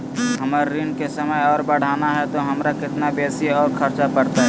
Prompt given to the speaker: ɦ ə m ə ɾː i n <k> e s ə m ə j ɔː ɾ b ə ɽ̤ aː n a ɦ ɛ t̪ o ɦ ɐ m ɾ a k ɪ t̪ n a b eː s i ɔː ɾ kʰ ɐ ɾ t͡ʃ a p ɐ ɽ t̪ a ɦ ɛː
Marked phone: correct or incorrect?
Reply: correct